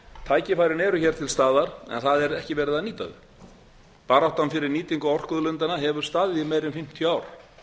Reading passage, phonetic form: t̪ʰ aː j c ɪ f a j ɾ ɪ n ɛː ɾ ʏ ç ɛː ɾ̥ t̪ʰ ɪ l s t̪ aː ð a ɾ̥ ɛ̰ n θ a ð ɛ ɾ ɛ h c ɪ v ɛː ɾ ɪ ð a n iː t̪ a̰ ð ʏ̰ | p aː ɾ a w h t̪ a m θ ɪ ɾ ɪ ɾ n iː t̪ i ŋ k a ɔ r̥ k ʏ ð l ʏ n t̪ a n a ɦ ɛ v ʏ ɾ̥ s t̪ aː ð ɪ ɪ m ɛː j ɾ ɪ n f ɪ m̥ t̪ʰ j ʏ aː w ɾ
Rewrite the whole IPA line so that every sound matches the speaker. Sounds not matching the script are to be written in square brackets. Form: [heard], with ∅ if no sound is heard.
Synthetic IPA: t̪ʰ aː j c ɪ f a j ɾ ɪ n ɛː ɾ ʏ ç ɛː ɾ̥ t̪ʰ ɪ l s t̪ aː ð a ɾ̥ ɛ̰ n θ a ð ɛ ɾ ɛ h c ɪ v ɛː ɾ ɪ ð a n iː t̪ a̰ ð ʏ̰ | p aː ɾ a w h t̪ a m [f] ɪ ɾ ɪ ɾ n iː t̪ i ŋ k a ɔ r̥ k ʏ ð l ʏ n t̪ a n a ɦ ɛ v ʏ ɾ̥ s t̪ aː ð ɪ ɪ m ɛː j ɾ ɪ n f ɪ m̥ t̪ʰ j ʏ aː w ɾ